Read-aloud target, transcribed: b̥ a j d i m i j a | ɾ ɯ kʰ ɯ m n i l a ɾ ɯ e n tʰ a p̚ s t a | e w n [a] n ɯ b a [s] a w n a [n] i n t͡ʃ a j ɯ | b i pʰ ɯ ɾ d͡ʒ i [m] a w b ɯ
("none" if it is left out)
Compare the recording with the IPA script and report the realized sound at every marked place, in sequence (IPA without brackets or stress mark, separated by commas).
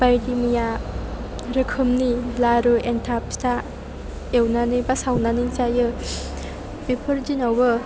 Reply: a, s, n, n